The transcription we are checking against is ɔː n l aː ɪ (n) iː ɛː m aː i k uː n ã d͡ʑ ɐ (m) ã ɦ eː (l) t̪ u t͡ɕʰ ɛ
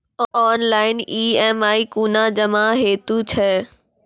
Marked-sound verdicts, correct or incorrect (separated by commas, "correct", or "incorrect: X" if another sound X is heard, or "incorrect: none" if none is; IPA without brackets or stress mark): correct, correct, incorrect: none